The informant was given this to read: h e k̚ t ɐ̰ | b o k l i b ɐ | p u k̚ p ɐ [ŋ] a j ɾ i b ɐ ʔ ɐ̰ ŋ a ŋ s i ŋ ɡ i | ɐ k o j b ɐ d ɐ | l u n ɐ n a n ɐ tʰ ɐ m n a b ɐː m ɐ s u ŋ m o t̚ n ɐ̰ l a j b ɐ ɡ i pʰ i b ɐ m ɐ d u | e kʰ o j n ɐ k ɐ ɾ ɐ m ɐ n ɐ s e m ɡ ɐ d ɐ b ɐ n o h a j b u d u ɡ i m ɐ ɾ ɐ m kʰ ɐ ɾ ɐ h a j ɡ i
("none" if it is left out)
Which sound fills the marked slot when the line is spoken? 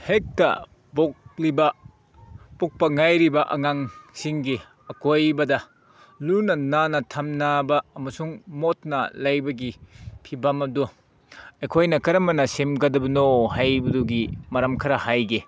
ŋ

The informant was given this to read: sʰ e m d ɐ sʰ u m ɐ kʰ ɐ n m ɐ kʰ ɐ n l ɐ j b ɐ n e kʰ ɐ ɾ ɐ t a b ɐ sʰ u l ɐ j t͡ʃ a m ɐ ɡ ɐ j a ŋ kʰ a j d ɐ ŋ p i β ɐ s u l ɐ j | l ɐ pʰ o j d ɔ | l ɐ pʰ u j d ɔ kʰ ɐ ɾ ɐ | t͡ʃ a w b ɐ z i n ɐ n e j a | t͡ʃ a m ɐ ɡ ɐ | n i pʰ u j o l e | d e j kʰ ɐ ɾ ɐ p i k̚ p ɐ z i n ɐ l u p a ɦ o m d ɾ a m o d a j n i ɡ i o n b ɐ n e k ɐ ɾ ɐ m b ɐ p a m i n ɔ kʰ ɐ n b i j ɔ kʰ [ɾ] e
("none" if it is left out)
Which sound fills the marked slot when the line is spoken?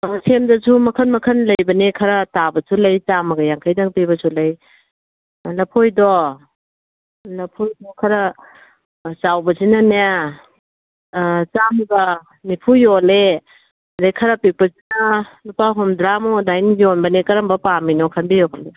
l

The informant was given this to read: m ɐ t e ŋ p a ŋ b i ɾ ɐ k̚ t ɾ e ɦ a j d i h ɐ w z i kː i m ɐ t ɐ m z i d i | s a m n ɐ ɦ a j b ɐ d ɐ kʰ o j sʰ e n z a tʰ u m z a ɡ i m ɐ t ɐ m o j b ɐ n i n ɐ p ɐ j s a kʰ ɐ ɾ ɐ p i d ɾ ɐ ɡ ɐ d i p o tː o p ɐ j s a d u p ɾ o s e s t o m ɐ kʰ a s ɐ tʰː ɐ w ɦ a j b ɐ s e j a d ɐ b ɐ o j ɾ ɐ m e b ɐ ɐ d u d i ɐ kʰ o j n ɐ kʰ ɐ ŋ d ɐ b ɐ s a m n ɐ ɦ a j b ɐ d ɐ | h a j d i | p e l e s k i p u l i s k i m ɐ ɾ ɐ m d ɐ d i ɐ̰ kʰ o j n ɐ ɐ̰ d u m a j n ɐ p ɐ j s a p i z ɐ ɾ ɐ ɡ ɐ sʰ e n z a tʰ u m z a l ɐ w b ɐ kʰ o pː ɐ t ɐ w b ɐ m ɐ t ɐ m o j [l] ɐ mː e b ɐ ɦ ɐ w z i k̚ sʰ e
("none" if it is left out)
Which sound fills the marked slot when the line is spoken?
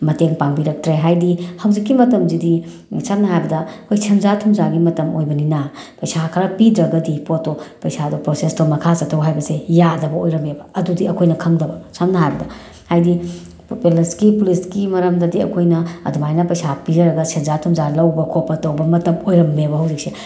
ɾ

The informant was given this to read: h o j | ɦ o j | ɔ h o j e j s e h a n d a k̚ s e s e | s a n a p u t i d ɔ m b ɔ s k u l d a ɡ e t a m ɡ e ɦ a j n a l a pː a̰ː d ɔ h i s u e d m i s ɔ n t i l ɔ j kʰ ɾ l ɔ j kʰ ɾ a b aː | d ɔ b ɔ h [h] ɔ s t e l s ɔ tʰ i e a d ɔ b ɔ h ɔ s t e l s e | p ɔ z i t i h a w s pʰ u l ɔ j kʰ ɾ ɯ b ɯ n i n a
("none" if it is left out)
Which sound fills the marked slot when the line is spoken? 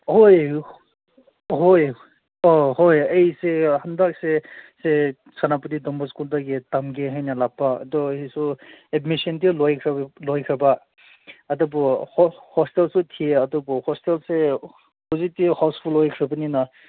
h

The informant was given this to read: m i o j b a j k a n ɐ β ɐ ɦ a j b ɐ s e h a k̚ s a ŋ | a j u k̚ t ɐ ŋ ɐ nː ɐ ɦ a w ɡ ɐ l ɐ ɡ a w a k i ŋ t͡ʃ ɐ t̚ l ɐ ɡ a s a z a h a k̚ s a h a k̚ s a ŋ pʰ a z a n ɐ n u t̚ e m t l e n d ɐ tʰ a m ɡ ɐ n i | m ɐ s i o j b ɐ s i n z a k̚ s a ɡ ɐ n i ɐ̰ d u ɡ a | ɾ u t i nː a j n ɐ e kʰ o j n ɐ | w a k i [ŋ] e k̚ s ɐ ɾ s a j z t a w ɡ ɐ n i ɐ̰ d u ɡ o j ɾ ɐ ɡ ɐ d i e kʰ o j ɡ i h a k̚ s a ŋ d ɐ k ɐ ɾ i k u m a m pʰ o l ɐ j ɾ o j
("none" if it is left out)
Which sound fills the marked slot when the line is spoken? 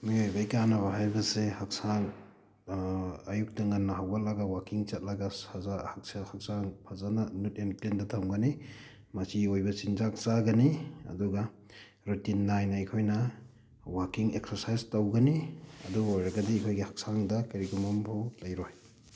ŋ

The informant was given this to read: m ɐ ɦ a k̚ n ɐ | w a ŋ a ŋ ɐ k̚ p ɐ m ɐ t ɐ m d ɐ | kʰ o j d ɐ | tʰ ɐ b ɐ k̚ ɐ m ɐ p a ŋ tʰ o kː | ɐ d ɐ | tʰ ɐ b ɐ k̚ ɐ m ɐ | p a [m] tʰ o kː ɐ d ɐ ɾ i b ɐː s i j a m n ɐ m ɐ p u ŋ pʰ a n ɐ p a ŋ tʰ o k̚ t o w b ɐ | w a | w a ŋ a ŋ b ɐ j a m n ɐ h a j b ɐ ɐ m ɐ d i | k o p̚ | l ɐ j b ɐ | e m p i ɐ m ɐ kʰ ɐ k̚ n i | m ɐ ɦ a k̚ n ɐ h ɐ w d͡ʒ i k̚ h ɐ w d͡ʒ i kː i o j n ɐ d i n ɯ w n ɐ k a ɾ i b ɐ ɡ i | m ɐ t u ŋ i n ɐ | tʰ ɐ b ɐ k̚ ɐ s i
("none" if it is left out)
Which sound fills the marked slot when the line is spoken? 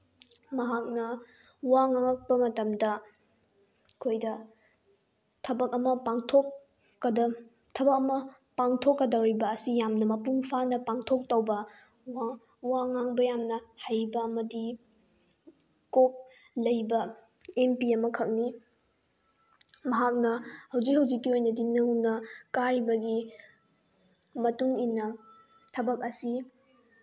ŋ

